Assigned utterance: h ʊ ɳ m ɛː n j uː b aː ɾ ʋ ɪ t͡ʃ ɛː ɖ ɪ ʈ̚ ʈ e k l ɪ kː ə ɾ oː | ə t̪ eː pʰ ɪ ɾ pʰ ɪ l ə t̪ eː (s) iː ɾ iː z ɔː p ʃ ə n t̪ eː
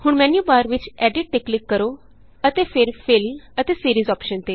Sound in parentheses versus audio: correct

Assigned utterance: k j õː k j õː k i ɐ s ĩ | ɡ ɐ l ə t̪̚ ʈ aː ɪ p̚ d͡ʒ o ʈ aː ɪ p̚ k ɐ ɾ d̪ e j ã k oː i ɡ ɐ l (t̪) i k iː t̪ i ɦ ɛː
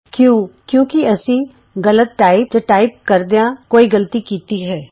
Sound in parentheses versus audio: correct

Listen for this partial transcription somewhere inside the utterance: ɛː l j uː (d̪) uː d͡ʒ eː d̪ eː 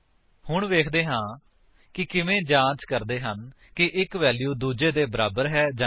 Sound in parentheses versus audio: correct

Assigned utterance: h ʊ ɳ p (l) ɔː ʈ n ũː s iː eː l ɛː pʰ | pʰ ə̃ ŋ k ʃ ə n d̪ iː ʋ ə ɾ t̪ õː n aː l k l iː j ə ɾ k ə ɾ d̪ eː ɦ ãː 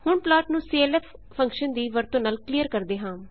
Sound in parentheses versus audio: correct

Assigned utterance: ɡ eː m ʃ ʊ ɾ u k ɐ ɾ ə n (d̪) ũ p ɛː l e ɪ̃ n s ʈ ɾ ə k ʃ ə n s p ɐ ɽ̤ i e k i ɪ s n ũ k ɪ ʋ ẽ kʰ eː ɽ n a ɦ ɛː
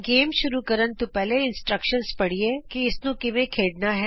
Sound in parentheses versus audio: incorrect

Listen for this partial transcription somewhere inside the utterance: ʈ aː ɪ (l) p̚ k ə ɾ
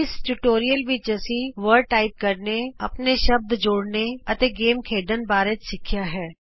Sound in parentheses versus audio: incorrect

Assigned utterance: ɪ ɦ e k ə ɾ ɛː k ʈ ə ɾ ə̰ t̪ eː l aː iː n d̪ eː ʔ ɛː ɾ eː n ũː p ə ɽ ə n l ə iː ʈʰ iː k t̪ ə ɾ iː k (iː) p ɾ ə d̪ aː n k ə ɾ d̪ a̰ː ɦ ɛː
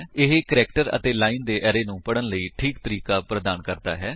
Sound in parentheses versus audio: incorrect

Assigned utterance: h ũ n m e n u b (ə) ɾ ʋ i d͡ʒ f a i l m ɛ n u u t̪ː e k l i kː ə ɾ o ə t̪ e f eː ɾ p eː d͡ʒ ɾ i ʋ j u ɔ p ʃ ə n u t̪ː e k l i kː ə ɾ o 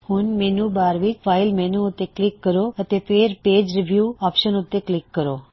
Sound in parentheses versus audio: incorrect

